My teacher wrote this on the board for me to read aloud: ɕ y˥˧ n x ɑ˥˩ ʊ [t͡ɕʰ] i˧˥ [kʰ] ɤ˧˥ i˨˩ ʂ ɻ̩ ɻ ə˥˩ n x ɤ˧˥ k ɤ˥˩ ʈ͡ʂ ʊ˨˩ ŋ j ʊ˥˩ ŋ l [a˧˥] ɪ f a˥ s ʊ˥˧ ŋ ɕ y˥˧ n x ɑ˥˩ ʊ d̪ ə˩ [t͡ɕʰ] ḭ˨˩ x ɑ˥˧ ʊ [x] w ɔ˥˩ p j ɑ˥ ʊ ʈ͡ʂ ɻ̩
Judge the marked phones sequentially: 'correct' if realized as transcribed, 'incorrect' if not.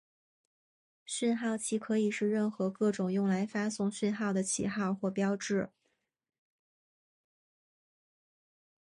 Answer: correct, correct, correct, correct, correct

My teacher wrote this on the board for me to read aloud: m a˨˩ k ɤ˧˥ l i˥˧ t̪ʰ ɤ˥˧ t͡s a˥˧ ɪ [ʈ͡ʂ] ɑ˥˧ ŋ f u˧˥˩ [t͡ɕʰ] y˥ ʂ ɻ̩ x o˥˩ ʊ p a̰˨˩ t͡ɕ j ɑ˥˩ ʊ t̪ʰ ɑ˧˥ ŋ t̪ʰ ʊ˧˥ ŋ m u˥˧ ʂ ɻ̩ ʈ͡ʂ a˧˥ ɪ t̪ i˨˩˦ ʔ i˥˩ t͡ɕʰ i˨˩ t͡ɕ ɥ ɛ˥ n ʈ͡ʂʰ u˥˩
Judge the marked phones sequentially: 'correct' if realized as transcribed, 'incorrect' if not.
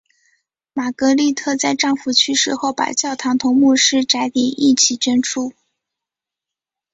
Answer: correct, correct

